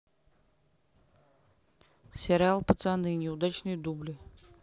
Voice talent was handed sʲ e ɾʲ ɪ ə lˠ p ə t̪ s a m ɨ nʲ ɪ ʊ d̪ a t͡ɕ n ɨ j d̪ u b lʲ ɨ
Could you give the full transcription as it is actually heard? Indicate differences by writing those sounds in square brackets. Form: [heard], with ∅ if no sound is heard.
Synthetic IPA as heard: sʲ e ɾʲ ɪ [a] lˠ p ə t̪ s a [n] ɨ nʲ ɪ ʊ d̪ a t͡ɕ n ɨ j d̪ u b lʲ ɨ